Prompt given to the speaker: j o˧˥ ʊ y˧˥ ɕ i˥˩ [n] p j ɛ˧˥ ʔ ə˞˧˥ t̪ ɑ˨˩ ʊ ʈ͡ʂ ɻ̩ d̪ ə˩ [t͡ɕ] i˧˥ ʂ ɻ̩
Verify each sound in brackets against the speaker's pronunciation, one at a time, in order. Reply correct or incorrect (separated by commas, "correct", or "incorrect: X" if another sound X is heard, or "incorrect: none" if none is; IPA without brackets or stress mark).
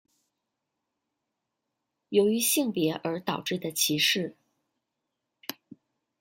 incorrect: ŋ, incorrect: t͡ɕʰ